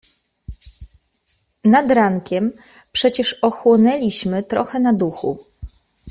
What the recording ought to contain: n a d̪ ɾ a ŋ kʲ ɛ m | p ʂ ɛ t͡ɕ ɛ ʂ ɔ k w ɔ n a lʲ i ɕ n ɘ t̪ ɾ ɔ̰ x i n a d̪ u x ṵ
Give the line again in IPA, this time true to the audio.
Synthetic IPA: n a d̪ ɾ a ŋ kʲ ɛ m | p ʂ ɛ t͡ɕ ɛ ʂ ɔ x w ɔ n ɛ lʲ i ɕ m ɘ t̪ ɾ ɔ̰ x ɛ n a d̪ u x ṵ